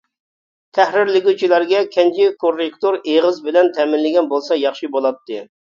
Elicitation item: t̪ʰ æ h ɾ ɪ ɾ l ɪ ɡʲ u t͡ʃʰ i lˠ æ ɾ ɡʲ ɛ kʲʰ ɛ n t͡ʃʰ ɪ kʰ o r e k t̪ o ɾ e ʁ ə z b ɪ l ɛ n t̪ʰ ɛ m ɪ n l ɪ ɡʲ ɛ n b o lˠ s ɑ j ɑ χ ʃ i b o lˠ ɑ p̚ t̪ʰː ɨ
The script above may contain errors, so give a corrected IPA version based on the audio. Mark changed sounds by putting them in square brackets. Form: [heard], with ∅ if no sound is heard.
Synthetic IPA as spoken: t̪ʰ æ h ɾ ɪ ɾ l ɪ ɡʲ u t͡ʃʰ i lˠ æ ɾ ɡʲ ɛ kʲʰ ɛ n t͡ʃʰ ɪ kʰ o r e k t̪ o ɾ e ʁ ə z b ɪ l ɛ n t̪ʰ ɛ m ɪ n l ɪ ɡʲ ɛ n b o lˠ s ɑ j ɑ χ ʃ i b o lˠ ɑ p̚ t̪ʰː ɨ